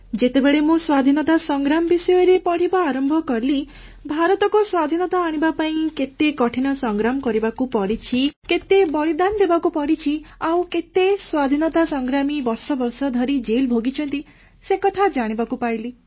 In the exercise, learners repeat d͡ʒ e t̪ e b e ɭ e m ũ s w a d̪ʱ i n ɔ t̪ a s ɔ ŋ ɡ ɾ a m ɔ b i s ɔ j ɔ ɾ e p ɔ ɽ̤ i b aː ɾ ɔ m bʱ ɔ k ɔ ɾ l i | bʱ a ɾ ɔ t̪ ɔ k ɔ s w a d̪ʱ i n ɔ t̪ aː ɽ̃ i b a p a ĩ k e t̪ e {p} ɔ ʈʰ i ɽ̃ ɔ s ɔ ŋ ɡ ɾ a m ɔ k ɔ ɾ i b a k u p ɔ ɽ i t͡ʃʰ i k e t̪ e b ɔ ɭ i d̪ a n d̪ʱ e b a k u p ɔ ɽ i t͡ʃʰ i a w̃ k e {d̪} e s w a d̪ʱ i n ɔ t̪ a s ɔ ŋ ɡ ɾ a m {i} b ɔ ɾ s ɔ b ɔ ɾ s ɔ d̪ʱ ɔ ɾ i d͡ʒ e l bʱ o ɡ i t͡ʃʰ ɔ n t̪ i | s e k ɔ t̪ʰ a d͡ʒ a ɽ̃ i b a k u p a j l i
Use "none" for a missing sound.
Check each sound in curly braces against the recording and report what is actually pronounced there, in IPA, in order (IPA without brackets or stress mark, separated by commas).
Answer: k, t̪, i